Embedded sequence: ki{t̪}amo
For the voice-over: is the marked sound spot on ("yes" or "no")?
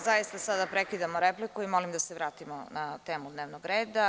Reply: no